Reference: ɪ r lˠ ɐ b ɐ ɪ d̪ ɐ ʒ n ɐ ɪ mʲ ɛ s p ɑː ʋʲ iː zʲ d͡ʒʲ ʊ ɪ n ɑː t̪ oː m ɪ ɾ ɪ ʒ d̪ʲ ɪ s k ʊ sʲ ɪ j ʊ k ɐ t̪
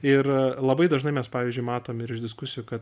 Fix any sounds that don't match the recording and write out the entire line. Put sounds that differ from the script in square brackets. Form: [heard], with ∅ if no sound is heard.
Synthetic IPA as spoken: ɪ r lˠ ɐ b ɐ ɪ d̪ ɐ ʒ n ɐ ɪ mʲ ɛ s p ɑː ʋʲ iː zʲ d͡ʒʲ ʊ ɪ [m] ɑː t̪ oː m ɪ ɾ ɪ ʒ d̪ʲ ɪ s k ʊ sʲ ɪ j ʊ k ɐ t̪